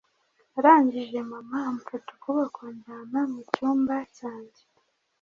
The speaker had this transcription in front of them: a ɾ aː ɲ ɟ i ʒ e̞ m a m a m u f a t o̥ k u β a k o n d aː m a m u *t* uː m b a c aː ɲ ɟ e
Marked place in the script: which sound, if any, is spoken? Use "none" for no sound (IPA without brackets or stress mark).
c